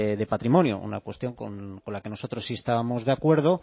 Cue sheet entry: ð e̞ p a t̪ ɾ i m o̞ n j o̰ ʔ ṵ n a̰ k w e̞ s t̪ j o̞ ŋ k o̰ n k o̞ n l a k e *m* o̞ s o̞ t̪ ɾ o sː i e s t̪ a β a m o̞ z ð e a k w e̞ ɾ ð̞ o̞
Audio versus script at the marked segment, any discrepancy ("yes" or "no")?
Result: yes